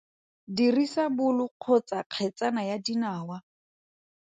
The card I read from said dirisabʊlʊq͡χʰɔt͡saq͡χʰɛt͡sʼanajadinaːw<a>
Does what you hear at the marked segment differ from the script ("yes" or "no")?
no